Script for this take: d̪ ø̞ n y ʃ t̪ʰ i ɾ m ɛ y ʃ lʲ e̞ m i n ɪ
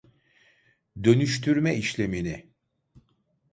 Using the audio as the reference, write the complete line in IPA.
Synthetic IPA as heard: d̪ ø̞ n y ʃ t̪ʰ y ɾ m ɛ i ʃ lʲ e̞ m i n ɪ